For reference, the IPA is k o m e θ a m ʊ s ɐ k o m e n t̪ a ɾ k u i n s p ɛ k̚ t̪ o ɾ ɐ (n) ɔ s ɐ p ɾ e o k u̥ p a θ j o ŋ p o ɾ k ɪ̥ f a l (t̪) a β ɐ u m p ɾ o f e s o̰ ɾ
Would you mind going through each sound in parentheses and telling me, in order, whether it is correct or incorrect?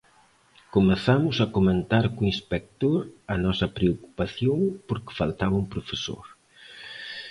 correct, correct

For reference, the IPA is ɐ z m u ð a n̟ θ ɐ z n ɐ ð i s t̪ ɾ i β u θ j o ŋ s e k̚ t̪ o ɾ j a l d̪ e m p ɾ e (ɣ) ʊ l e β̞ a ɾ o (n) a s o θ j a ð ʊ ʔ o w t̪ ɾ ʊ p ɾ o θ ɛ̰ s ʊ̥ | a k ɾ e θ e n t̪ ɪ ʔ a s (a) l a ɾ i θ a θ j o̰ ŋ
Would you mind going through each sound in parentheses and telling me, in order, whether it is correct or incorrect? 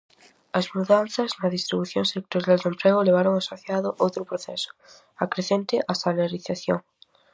correct, incorrect, correct

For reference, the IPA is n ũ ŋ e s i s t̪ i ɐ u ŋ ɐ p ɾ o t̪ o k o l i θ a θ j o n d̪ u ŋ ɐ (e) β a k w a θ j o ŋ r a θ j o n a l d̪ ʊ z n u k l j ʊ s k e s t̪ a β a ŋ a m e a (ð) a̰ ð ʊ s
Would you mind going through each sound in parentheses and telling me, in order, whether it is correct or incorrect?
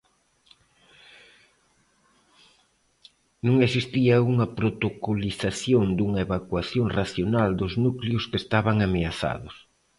correct, incorrect

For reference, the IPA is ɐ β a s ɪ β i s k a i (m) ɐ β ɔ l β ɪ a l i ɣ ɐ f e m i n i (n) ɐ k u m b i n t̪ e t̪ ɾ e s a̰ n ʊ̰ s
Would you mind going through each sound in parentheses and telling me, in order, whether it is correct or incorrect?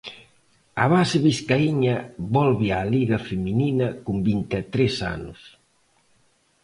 incorrect, correct

